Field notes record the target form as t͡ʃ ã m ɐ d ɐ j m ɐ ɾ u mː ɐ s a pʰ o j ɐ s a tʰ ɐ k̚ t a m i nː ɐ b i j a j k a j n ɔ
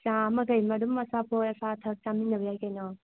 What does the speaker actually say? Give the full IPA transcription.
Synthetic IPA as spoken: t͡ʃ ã m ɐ ɡ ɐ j m ɐ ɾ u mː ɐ s a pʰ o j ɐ s a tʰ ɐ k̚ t a m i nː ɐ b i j a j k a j n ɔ